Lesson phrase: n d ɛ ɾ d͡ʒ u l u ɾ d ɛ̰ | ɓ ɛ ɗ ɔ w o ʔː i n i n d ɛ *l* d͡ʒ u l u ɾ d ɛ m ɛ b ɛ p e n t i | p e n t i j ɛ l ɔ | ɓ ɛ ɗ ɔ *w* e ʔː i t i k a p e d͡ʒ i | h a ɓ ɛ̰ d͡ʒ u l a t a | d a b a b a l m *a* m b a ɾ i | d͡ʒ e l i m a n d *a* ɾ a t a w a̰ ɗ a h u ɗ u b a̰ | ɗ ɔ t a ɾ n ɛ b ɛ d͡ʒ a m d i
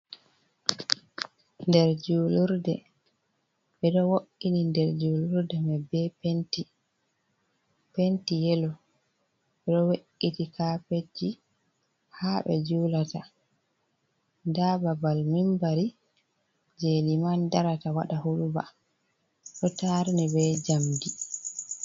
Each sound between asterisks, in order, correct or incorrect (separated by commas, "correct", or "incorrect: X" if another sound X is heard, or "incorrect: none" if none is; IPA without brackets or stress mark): incorrect: ɾ, correct, incorrect: i, correct